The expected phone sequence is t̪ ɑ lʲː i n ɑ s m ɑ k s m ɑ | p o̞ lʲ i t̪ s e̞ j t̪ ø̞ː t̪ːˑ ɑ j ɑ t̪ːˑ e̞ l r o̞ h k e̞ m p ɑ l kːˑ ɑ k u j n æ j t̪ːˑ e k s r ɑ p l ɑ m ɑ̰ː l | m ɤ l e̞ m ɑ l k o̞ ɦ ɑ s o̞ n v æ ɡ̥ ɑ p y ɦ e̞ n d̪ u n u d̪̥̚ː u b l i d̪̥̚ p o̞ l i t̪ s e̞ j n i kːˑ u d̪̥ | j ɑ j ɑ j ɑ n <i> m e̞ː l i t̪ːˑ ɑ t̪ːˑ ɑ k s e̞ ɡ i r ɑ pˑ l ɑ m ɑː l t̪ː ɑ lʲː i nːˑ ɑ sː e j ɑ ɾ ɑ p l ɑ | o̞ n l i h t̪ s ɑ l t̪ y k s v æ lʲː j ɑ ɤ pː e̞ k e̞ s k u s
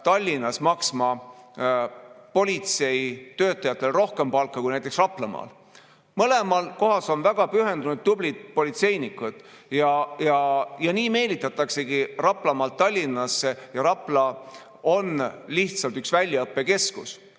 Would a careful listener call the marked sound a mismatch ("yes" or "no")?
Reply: yes